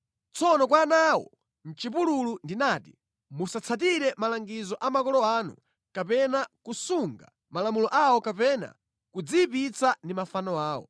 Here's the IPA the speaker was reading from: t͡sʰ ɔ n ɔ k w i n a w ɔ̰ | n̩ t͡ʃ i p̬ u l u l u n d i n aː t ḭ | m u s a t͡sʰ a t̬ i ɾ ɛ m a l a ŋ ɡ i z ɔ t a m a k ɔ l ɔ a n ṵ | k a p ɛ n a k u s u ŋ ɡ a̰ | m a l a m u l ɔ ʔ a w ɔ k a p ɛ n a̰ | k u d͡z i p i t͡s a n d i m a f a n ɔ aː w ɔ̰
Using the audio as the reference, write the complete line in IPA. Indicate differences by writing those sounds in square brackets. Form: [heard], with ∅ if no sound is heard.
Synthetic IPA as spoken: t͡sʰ ɔ n ɔ k w [a] n a w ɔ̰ | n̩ t͡ʃ i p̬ u l u l u n d i n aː t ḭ | m u s a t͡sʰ a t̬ i ɾ ɛ m a l a ŋ ɡ i z ɔ [ʔ] a m a k ɔ l ɔ a n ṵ | k a p ɛ n a k u s u ŋ ɡ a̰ | m a l a m u l ɔ ʔ a w ɔ k a p ɛ n a̰ | k u d͡z i p i t͡s a n d i m a f a n ɔ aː w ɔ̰